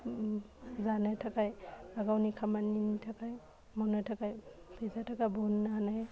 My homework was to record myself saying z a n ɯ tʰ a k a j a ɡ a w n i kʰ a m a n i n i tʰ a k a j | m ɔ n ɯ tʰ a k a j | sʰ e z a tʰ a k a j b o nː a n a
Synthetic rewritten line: z a n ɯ tʰ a k a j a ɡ a w n i kʰ a m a n i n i tʰ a k a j | m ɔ n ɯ tʰ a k a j | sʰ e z a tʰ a k a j b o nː a n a